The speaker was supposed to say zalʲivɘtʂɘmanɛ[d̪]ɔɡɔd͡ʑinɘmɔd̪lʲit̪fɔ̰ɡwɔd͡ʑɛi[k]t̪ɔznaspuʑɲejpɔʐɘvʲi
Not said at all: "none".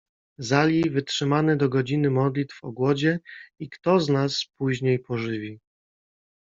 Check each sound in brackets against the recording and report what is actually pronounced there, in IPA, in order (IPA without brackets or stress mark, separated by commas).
d̪, k